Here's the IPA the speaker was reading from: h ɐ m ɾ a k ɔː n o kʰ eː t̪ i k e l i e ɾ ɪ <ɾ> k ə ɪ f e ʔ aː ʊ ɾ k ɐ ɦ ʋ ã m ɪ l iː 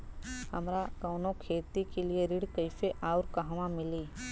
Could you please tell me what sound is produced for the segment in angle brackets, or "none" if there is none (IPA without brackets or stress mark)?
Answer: ɽ